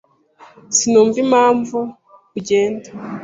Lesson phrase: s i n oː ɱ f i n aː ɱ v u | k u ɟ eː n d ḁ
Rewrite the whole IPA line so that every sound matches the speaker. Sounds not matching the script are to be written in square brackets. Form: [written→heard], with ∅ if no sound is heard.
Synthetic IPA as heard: s i n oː ɱ [f→v] i [n→m] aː ɱ v u | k u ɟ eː n d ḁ

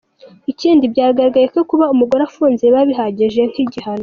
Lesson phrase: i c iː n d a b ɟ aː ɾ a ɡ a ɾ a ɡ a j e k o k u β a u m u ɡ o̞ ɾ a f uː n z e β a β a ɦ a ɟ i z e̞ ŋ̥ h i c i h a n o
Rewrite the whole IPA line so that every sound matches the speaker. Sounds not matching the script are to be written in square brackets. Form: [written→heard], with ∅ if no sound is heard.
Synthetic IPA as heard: i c iː n d [a→i] b ɟ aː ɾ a ɡ a ɾ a ɡ a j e k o k u β a u m u ɡ o̞ ɾ a f uː n z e β a β [a→i] ɦ a ɟ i [z→ʒ] e̞ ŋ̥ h i [c→ɟ] i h a n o

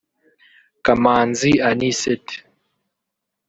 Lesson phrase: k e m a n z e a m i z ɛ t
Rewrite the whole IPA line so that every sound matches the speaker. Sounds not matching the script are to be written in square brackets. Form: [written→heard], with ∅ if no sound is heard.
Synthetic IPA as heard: k [e→a] m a n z [e→i] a [m→n] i [z→s] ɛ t

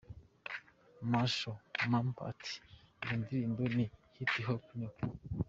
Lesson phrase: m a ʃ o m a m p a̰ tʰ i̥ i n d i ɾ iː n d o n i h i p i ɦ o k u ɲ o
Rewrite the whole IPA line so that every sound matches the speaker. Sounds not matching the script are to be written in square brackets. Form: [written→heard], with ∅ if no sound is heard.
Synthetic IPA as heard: m a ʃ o m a m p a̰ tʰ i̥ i n d i ɾ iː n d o n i h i [p→t] i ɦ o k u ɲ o

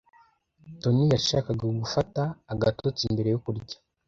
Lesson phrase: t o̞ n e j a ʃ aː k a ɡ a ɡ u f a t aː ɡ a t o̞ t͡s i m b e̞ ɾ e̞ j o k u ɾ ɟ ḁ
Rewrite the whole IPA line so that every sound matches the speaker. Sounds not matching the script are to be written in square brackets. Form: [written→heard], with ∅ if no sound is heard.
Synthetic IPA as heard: t o̞ n [e→i] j a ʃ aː k a ɡ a ɡ u f a t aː ɡ a t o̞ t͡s i m b e̞ ɾ e̞ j o k u ɾ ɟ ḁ

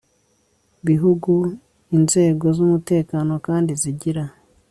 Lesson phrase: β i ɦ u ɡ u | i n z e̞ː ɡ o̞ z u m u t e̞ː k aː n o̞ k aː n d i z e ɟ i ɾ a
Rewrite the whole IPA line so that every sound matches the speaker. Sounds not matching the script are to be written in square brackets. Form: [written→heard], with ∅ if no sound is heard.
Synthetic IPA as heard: β i ɦ u ɡ u | i n z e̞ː ɡ o̞ z u m u t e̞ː k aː n o̞ k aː n d i z [e→i] ɟ i ɾ a

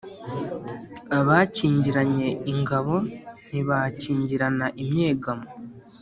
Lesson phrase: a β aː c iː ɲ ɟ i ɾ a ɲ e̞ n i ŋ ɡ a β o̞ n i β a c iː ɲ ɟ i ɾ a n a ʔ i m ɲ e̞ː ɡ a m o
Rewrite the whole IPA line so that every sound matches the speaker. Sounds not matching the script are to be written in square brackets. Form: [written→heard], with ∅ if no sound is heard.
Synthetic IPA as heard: a β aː c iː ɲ ɟ i ɾ a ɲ e̞ [n→∅] i ŋ ɡ a β o̞ n i β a c iː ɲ ɟ i ɾ a n a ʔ i m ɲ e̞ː ɡ a m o

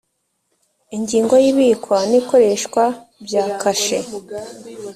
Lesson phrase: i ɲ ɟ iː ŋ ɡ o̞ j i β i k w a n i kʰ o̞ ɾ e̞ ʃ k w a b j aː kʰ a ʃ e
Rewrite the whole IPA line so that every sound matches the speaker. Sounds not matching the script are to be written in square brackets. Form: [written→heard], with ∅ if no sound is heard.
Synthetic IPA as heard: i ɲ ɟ iː ŋ ɡ o̞ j i β i k w a n i [kʰ→k] o̞ ɾ e̞ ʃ k w a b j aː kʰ a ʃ e

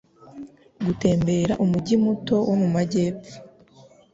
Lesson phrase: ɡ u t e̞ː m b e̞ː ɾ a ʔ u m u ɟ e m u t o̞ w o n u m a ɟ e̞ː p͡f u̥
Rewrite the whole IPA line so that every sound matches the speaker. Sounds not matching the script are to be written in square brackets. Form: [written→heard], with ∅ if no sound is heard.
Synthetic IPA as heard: ɡ u t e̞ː m b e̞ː ɾ a ʔ u m u ɟ [e→i] m u t o̞ w o [n→m] u m a ɟ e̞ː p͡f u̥

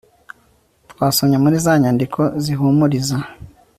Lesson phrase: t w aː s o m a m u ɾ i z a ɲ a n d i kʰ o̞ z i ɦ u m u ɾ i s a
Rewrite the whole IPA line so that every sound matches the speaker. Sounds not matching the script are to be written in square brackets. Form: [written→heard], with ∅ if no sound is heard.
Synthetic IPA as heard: t w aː s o [m→ɲ] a m u ɾ i z a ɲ a n d i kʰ o̞ z i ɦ u m u ɾ i [s→z] a

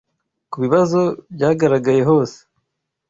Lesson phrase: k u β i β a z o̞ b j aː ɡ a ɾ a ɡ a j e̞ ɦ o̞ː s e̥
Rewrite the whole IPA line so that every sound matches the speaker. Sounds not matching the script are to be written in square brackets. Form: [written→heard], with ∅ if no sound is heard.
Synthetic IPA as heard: k u β i β a z o̞ b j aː ɡ a ɾ a ɡ a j e̞ ɦ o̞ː s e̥

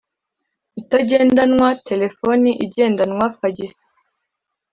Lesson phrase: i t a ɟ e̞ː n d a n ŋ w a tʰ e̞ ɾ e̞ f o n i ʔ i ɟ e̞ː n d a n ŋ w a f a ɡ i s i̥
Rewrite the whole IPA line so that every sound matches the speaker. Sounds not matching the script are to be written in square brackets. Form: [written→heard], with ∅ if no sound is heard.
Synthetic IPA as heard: i t a ɟ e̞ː n d a n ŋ w a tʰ e̞ [ɾ→l] e̞ f o n i ʔ i ɟ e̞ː n d a n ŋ w a f a [ɡ→ɟ] i s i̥

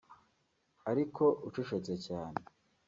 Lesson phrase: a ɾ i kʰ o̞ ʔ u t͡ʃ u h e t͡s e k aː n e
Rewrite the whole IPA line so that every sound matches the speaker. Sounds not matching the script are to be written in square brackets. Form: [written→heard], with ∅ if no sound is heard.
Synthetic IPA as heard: a ɾ i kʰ o̞ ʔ u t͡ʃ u [h→ʃ] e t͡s e [k→c] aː n e

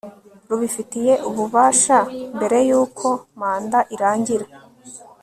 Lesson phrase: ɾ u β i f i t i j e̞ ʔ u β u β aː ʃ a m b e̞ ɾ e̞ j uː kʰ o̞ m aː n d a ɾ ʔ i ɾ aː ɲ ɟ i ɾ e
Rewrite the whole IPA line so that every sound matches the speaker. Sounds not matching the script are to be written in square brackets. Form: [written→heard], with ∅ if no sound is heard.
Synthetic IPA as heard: ɾ u β i f i t i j e̞ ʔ u β u β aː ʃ a m b e̞ ɾ e̞ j uː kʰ o̞ m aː n d a [ɾ→∅] ʔ i ɾ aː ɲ ɟ i ɾ [e→a]

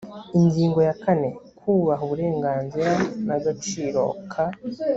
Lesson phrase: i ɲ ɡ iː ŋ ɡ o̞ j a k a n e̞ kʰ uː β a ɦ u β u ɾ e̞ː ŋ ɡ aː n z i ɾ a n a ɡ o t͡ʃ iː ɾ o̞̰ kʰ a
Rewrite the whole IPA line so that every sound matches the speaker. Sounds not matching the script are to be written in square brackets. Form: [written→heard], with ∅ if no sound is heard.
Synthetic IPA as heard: i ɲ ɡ iː ŋ ɡ o̞ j a k a n e̞ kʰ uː β a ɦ u β u ɾ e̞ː ŋ ɡ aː n z i ɾ a n a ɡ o t͡ʃ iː ɾ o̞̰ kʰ a

